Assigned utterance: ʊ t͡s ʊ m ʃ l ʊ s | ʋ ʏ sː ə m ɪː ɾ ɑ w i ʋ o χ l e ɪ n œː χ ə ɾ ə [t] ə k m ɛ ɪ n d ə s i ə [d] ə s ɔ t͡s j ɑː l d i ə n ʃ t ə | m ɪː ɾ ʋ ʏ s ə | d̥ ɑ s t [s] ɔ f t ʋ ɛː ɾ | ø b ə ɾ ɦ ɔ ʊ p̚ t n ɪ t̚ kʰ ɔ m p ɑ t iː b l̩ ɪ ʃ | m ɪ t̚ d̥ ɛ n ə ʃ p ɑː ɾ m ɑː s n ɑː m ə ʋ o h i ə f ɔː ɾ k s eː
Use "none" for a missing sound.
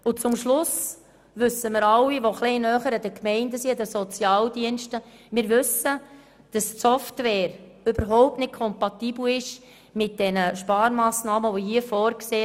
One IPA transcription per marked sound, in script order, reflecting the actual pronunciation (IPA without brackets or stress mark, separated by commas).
d, d, s